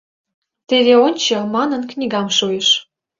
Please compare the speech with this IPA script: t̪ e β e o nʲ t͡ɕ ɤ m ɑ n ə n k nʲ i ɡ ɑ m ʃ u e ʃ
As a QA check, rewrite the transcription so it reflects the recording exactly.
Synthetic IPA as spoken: t̪ e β e o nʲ t͡ɕ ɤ m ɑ n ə n k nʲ i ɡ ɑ m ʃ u e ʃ